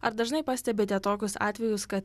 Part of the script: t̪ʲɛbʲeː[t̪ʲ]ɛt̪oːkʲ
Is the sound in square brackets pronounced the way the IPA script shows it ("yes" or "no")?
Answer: yes